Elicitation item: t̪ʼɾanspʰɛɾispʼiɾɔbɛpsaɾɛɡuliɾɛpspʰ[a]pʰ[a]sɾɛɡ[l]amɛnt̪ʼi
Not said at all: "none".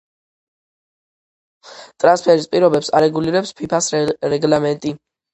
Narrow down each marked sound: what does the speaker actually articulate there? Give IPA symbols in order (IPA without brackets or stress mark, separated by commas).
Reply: i, a, l